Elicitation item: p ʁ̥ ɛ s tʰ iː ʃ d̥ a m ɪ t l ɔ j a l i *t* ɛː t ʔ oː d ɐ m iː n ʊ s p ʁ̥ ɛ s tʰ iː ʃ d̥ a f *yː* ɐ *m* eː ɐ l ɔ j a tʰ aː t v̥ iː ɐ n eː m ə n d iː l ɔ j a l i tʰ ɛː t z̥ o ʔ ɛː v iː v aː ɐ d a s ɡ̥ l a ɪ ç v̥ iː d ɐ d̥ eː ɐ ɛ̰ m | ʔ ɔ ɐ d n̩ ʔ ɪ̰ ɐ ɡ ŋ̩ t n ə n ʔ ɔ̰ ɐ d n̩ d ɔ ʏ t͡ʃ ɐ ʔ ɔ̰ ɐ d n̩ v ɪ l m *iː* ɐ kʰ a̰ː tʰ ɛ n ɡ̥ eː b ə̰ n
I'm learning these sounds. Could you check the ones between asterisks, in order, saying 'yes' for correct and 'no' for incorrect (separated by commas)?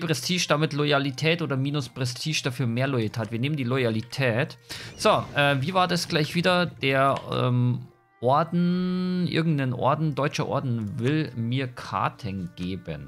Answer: no, yes, yes, yes